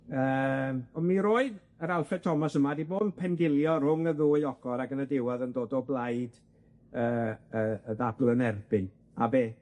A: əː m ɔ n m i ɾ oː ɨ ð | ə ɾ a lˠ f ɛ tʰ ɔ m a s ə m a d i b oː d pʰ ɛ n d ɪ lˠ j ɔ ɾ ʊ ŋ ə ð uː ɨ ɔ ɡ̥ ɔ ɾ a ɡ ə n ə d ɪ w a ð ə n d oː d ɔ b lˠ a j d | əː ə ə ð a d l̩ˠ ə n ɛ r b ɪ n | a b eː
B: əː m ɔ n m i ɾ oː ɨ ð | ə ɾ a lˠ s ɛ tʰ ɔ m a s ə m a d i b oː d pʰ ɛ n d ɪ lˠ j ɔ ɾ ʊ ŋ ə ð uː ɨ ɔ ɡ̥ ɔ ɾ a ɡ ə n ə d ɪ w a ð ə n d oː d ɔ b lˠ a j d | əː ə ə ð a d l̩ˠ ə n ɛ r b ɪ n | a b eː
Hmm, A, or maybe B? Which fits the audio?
A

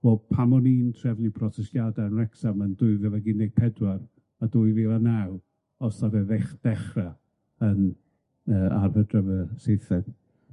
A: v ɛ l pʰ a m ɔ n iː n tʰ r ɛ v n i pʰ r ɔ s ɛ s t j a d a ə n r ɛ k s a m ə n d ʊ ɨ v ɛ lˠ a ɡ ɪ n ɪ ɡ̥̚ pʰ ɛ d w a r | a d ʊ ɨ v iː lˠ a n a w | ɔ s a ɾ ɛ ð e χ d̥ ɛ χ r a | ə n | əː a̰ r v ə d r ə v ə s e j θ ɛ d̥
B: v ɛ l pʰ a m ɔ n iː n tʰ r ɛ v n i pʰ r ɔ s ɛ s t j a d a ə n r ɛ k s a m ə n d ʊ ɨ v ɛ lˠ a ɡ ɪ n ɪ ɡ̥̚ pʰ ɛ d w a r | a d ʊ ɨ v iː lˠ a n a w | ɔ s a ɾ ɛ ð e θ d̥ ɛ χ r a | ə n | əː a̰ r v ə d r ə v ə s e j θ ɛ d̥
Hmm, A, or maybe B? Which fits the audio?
A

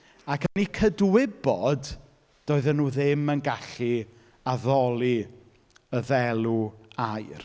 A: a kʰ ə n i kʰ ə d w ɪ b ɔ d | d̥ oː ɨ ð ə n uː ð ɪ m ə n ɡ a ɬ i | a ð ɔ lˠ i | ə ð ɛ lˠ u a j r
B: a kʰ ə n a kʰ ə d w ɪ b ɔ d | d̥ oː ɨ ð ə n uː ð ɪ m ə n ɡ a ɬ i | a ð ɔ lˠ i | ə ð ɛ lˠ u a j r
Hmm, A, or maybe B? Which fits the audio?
A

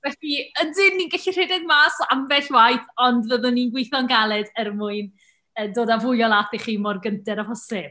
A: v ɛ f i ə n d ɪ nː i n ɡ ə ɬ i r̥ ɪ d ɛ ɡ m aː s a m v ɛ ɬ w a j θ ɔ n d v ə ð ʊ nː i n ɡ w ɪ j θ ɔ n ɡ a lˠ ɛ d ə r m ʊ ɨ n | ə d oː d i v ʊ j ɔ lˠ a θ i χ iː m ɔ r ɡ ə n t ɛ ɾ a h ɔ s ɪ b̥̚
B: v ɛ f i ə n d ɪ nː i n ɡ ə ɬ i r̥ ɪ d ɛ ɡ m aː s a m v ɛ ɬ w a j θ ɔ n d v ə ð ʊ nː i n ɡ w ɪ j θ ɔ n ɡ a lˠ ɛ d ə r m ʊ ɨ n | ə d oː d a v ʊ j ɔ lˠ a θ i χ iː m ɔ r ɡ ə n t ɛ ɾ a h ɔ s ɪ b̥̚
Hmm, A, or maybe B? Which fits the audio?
B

